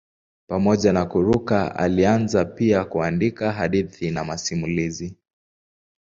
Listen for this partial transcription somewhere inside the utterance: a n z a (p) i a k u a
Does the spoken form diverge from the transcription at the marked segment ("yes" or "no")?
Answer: no